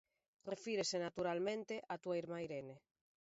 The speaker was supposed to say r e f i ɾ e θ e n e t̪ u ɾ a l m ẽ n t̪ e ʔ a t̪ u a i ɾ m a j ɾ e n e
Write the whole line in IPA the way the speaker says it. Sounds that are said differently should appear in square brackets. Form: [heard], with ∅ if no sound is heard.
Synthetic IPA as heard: r e f i ɾ e [s] e n [a] t̪ u ɾ a l m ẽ n t̪ e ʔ a t̪ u a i ɾ m a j ɾ e n e